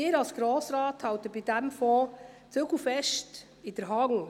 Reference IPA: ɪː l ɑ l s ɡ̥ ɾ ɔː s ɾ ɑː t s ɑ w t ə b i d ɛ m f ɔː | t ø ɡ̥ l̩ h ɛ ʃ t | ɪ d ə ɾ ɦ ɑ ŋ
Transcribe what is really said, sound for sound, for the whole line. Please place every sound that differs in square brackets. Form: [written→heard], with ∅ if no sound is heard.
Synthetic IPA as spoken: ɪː [l→ɾ] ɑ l s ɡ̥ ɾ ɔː s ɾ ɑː t [s→h] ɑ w t ə b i d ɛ m f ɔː | [t→t͡s] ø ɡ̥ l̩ [h→f] ɛ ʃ t | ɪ d ə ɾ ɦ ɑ ŋ